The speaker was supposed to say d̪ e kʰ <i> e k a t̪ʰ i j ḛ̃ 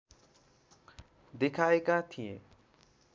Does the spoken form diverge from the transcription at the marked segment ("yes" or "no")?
yes